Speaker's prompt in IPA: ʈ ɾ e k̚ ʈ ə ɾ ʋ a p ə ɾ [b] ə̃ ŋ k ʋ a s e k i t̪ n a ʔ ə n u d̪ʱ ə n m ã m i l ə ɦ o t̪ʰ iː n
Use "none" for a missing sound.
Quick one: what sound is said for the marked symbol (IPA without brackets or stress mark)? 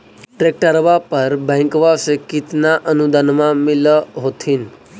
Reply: b